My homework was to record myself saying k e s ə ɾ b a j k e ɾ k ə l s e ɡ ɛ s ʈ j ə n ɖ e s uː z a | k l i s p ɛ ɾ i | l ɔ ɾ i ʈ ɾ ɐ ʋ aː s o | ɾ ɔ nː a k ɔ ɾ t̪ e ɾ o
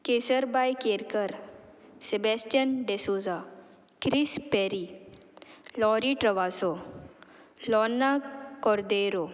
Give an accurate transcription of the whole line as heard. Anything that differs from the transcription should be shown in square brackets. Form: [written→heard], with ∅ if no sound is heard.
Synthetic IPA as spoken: k e s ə ɾ b a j k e ɾ k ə [l→ɾ] s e [ɡ→b] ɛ s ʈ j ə n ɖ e s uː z a | k [l→ɾ] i s p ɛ ɾ i | l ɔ ɾ i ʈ ɾ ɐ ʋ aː s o | [ɾ→l] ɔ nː a k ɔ ɾ [t̪→d̪] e ɾ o